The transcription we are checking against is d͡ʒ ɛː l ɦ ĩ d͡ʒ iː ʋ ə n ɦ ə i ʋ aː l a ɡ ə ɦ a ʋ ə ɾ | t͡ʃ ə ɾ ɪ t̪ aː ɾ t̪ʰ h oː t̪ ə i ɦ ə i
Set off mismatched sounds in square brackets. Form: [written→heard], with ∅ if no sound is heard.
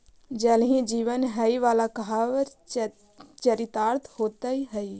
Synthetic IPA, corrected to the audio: d͡ʒ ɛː l ɦ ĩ d͡ʒ iː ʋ ə n ɦ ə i ʋ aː l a [ɡ→k] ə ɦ a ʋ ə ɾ | t͡ʃ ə ɾ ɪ t̪ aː ɾ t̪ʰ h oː t̪ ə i ɦ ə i